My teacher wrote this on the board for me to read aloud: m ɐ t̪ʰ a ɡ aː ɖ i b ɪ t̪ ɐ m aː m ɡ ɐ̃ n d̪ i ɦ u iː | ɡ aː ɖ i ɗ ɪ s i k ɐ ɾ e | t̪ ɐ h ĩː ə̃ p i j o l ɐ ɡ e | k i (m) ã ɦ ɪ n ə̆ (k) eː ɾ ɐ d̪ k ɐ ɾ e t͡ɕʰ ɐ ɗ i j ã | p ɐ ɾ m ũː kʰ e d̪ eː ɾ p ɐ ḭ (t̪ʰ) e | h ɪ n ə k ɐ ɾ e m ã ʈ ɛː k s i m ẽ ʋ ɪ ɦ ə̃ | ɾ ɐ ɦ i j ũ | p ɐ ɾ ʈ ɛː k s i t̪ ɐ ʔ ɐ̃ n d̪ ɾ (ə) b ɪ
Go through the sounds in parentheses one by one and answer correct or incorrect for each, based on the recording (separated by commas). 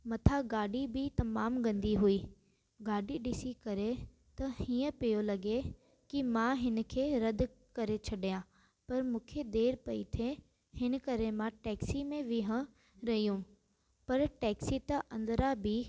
correct, incorrect, correct, incorrect